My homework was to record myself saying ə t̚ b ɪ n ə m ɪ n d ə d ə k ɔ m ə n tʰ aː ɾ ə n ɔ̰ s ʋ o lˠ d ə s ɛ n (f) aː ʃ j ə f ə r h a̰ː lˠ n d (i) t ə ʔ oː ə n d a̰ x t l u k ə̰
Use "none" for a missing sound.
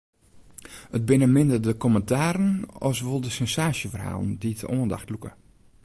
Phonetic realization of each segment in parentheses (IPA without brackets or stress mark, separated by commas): s, i